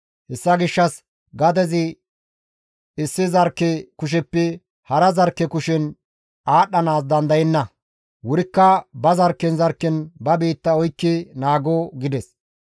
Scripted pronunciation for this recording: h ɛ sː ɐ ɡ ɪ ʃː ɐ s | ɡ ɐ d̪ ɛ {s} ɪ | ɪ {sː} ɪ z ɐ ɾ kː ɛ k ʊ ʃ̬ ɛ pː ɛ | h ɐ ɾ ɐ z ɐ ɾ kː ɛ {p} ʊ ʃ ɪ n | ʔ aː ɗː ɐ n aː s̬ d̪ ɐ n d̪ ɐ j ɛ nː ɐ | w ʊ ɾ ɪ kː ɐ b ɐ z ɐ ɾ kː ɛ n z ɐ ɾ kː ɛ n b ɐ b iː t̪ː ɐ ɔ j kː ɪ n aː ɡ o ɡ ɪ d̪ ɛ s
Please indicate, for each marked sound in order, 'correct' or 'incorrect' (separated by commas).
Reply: incorrect, correct, incorrect